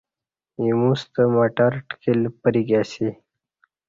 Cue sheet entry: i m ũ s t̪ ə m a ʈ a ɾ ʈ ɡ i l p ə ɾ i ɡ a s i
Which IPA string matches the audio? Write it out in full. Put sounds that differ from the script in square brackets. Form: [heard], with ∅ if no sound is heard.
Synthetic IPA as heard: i m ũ s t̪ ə m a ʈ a ɾ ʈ [k] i l p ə ɾ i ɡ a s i